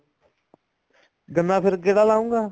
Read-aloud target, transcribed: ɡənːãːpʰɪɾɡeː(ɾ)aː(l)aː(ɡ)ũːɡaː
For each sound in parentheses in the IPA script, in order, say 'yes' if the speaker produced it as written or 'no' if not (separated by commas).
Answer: no, yes, no